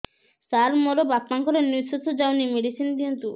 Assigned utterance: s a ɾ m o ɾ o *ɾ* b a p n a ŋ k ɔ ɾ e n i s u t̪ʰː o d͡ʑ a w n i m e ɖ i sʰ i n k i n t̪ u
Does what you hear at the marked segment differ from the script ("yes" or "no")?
yes